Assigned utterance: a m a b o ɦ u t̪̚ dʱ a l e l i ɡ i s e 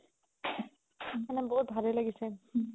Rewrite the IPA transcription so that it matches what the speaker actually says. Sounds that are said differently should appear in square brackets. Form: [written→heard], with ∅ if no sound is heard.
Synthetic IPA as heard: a [m→n] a b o ɦ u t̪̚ [dʱ→bʱ] a l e l [i→a] ɡ i s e

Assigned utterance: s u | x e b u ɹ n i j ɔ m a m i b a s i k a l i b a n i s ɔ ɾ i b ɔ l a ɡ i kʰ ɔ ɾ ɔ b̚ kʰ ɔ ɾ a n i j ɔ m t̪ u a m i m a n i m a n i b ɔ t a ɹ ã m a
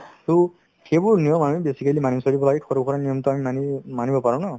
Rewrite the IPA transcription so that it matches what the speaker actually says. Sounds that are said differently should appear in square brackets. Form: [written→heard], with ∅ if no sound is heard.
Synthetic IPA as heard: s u | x e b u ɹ n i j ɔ m a m i b [a→e] s i k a l i [b→m] a n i s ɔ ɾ i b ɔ l a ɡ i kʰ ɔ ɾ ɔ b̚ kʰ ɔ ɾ a n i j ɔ m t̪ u a m i m a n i m a n i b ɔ [t→p] a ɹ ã [m→n] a

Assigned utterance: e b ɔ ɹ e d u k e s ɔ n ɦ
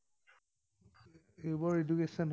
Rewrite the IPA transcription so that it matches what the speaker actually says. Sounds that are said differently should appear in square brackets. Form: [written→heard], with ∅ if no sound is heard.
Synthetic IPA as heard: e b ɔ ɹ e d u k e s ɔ n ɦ

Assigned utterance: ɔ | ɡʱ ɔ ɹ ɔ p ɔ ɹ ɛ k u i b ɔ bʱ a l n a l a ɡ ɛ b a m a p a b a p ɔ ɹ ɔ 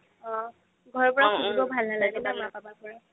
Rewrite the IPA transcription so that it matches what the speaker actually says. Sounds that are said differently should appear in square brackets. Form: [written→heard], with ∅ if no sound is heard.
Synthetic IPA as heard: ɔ | ɡʱ ɔ ɹ ɔ p ɔ ɹ [ɛ→a] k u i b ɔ bʱ a l n a l a ɡ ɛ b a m a p a b a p ɔ ɹ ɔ

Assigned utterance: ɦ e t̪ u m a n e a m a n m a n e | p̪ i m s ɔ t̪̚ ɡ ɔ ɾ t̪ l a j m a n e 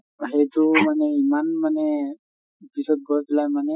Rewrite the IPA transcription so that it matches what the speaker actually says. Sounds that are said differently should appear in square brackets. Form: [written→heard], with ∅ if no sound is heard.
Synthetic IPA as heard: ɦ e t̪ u m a n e [a→i] m a n m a n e | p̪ i [m→∅] s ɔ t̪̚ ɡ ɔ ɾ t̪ l a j m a n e

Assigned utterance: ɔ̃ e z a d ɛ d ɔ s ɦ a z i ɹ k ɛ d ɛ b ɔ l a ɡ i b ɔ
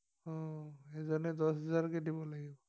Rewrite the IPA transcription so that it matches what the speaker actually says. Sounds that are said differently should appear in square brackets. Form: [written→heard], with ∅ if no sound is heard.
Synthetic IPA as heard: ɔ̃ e z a [d→n] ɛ d ɔ s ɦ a z [i→a] ɹ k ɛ d [ɛ→i] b ɔ l a ɡ i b ɔ

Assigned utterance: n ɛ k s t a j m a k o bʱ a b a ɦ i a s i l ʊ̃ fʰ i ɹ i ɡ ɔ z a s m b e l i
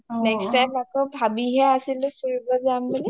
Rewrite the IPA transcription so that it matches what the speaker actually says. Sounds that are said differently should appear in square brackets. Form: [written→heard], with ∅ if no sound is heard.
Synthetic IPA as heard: n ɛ k s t a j m a k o bʱ a b [a→i] ɦ [i→ɛ] a s i l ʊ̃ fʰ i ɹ i [ɡ→b] ɔ z a [s→∅] m b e l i

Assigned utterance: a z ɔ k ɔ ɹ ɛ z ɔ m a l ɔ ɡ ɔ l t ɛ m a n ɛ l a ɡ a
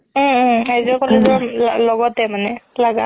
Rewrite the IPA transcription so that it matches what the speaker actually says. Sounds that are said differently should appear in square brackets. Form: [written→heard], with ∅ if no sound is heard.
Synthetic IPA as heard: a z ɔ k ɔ [ɹ→l] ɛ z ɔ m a l ɔ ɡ ɔ [l→∅] t ɛ m a n ɛ l a ɡ a

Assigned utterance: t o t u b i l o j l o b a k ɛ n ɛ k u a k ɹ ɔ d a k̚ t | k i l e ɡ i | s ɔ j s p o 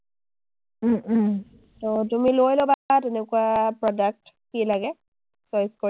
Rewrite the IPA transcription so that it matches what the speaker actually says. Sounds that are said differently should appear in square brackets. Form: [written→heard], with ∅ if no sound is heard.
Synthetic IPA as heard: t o t u [b→m] i l o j l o b a [k→t] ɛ n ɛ k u a [k→p] ɹ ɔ d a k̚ t | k i l [e→a] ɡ [i→ɛ] | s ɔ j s [p→k] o

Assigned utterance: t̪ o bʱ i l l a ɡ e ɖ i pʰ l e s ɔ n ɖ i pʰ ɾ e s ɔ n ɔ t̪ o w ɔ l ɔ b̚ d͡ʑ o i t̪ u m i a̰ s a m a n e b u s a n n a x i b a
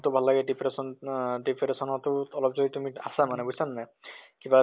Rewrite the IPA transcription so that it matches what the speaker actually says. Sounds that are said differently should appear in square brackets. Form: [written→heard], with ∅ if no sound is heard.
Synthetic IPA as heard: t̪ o bʱ [i→a] l l a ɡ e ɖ i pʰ [l→ɾ] e s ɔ n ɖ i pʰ ɾ e s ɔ n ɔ t̪ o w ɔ l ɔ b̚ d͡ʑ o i t̪ u m i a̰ s a m a n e b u s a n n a [x→k] i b a

